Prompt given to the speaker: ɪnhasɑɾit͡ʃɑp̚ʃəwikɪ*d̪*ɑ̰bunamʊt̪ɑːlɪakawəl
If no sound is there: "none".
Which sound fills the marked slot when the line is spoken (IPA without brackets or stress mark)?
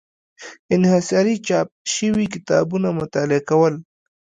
t̪